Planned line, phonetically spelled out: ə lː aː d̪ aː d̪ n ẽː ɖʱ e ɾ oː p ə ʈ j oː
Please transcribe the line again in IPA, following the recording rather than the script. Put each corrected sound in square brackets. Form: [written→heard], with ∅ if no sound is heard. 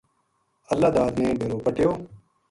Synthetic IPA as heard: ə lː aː d̪ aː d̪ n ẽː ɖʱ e ɾ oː p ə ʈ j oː